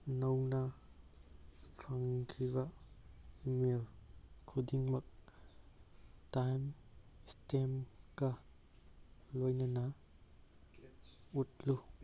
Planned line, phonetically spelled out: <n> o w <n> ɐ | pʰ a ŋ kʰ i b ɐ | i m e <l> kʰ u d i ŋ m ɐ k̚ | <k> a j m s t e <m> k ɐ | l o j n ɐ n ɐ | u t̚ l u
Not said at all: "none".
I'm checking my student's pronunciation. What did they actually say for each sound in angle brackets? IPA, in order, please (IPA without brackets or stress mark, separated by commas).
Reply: n, n, l, t, m